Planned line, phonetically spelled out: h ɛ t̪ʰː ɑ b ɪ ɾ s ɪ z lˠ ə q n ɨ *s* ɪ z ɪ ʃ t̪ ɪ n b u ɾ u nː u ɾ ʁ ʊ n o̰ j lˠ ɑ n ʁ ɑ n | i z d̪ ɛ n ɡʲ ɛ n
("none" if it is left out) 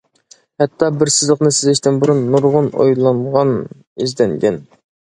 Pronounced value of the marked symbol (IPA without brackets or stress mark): s